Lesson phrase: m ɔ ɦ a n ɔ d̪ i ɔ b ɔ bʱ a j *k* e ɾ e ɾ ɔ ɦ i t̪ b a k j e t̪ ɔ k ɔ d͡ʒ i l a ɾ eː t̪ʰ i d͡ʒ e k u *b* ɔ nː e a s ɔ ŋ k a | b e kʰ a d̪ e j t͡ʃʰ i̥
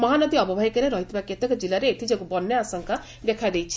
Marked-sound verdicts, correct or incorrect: correct, correct

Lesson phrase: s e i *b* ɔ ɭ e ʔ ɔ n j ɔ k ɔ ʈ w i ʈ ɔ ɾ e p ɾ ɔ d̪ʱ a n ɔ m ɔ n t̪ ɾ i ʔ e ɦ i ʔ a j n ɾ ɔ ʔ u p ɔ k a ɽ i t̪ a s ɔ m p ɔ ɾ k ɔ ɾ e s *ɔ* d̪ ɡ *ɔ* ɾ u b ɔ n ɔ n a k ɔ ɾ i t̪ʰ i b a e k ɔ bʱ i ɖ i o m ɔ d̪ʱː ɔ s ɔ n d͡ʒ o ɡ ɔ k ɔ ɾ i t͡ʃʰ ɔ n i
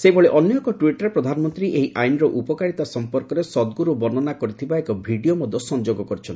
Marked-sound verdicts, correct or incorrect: correct, correct, incorrect: u

